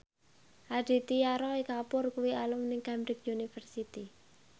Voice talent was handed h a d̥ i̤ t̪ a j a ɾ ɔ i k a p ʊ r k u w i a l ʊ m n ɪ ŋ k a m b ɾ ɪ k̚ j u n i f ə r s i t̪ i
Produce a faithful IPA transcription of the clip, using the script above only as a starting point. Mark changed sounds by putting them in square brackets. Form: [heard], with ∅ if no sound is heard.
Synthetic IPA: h a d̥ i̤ t̪ [i] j a ɾ ɔ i k a p ʊ r k u w i a l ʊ m n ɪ ŋ k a m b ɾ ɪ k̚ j u n i f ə r s i t̪ i